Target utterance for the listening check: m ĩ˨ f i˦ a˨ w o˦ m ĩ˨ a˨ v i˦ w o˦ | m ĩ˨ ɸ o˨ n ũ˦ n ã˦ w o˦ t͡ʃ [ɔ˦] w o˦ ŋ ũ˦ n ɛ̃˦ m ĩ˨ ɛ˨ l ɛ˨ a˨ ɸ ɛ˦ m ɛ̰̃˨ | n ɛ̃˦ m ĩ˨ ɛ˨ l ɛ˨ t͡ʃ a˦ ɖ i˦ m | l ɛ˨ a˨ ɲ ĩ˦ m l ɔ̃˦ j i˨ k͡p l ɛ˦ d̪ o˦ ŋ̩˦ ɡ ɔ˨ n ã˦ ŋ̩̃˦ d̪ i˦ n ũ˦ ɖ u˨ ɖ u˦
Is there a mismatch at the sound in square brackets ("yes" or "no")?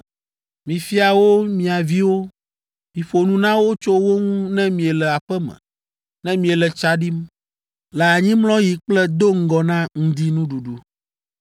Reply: yes